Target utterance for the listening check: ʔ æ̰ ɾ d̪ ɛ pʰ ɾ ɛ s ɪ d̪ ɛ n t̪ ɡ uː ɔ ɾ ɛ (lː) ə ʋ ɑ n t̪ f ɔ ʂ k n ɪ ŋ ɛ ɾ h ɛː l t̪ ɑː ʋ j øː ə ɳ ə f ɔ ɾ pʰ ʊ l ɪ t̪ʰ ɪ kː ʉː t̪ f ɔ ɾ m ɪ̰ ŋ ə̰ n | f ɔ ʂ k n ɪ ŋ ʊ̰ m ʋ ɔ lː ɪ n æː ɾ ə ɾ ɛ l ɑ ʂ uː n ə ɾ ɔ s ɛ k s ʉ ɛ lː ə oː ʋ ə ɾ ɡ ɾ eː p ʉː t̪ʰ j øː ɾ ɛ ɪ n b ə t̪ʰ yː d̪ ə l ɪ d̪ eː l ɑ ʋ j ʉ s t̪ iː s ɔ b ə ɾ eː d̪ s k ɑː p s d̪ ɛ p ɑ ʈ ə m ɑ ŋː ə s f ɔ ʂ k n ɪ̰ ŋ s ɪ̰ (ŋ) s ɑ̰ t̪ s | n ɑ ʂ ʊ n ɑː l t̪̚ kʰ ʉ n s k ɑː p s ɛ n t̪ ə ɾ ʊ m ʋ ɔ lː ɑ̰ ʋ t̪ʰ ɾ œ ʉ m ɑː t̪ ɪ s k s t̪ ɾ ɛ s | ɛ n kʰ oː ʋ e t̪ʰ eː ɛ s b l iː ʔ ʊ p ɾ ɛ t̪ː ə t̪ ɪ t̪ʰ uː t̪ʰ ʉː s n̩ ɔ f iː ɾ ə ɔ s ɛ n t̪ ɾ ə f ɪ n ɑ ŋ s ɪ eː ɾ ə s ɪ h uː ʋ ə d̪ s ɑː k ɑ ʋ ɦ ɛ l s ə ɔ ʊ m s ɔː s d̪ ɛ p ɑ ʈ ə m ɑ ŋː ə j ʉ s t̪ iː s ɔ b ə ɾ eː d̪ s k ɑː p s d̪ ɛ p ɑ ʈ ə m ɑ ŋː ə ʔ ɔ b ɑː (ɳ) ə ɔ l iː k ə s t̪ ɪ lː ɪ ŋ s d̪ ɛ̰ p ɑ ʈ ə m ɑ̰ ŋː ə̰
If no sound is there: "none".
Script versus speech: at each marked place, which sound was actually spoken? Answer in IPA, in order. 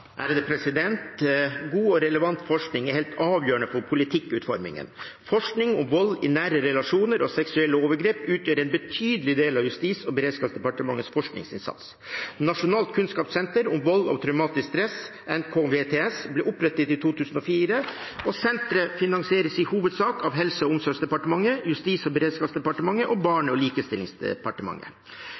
l, n, ɳ

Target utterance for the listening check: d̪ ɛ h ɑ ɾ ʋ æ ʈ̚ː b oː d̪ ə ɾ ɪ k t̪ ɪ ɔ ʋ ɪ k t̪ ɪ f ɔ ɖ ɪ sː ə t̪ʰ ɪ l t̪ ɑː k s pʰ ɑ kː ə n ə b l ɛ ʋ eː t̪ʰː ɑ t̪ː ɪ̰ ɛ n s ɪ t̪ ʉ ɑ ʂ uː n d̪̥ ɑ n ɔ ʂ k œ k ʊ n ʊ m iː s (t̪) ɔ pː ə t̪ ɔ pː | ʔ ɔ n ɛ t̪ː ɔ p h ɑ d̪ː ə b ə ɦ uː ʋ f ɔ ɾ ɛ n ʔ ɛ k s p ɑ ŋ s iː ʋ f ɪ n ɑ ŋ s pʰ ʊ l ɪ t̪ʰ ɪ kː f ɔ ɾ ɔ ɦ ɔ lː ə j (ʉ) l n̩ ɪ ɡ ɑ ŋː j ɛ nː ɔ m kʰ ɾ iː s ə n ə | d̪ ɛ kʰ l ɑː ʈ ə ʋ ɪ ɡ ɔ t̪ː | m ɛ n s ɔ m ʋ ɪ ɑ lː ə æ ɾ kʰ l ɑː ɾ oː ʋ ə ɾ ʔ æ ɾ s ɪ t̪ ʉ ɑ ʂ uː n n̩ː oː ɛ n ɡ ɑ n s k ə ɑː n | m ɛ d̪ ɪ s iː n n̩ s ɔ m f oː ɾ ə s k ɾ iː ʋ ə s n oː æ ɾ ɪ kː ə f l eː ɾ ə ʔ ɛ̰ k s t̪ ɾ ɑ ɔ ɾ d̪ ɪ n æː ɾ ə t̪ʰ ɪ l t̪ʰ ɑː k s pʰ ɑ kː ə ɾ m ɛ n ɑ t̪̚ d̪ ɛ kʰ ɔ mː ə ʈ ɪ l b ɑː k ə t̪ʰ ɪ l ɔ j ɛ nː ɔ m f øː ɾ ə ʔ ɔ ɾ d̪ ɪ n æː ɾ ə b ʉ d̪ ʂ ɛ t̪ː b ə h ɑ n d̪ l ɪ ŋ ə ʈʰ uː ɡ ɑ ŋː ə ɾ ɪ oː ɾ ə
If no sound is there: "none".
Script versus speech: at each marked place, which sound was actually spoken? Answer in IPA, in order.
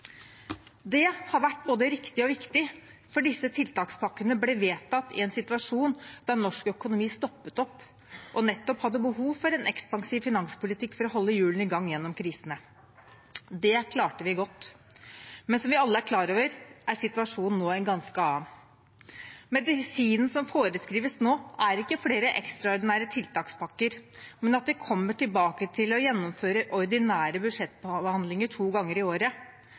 t̪, ʉː

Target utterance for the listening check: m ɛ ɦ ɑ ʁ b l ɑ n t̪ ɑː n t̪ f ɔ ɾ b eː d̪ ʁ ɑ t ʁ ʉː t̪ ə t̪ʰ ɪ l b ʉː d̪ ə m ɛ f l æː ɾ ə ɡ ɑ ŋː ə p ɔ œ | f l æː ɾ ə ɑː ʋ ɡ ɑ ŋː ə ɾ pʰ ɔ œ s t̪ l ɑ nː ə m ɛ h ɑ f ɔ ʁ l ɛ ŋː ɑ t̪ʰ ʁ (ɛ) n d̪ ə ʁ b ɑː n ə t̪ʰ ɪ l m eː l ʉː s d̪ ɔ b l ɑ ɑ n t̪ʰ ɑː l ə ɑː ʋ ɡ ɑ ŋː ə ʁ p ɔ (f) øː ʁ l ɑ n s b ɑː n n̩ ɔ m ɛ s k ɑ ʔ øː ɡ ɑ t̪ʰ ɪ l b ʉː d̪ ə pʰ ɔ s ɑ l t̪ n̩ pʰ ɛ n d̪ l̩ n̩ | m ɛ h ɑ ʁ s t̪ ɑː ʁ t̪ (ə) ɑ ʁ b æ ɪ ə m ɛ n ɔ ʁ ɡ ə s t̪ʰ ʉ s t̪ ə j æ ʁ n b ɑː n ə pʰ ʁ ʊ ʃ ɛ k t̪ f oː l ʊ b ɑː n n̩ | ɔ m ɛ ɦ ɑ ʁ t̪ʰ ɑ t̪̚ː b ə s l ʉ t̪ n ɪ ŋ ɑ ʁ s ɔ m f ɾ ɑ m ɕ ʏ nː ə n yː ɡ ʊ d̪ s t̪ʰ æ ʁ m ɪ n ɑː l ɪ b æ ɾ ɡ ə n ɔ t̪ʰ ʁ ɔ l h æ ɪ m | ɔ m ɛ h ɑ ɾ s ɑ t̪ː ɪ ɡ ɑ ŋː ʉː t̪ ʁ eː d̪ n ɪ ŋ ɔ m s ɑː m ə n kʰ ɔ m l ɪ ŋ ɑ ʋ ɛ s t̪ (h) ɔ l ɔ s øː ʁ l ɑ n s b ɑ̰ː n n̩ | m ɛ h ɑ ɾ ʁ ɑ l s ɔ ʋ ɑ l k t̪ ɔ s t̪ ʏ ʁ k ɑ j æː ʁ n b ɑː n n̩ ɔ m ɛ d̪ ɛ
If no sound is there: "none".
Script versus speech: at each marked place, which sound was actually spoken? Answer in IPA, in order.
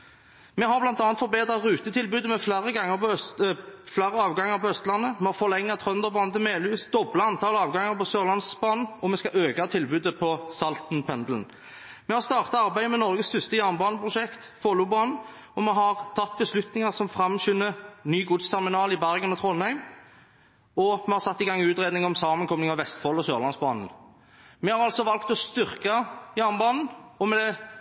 œ, s, ɑ, f

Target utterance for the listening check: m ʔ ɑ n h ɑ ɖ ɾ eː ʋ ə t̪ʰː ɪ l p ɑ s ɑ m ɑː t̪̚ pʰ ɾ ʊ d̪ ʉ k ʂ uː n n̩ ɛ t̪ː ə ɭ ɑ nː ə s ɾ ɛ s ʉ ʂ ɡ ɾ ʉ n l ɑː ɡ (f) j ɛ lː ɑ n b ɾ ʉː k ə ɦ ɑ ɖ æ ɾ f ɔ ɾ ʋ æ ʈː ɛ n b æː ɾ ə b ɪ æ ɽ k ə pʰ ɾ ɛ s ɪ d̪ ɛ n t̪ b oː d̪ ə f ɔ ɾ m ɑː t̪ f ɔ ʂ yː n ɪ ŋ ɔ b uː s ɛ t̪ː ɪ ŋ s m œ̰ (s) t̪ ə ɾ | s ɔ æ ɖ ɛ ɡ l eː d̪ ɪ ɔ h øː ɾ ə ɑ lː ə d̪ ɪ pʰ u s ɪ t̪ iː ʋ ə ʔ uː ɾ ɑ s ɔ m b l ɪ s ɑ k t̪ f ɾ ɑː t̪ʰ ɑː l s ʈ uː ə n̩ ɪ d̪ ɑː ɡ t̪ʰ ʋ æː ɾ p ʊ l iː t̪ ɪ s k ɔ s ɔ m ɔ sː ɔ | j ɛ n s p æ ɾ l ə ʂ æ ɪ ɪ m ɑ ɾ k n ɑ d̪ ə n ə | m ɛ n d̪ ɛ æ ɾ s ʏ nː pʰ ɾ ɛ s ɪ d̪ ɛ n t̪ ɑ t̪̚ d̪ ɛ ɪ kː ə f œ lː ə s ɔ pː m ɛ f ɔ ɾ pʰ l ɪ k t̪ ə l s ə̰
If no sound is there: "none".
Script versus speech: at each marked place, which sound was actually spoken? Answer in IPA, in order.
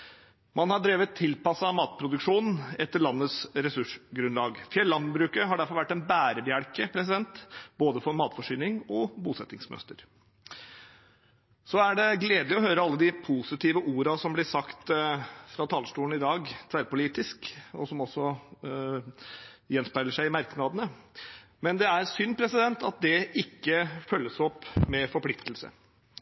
f, s

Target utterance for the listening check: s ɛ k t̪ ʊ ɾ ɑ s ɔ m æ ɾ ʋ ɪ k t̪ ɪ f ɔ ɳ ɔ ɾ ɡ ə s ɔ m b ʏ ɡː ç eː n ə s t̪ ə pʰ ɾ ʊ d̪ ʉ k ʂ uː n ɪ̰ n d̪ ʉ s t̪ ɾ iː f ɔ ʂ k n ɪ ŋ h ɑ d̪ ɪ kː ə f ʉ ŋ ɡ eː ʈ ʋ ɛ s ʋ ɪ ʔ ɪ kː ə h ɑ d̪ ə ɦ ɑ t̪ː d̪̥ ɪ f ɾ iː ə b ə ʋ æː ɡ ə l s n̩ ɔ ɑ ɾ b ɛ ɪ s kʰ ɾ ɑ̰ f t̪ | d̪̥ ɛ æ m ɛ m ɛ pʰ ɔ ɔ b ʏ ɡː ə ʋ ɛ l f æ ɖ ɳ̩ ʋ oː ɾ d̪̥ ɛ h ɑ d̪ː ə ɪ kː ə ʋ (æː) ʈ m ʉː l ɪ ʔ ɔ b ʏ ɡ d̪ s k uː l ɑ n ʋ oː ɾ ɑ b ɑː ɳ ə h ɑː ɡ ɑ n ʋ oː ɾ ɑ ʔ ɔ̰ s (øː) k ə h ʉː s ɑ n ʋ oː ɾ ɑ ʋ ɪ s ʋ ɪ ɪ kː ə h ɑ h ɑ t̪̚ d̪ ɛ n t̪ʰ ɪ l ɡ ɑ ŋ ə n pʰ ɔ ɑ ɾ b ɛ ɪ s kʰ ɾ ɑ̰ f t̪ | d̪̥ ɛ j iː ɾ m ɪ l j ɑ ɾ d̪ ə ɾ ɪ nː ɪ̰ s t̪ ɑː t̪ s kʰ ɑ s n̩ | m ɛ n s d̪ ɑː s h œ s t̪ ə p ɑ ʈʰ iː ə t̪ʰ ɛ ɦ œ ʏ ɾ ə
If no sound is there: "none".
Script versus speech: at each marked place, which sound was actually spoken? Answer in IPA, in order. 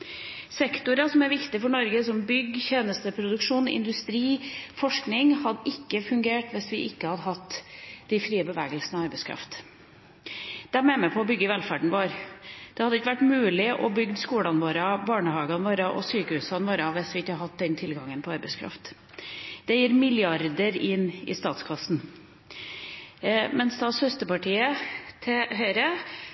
æ, yː

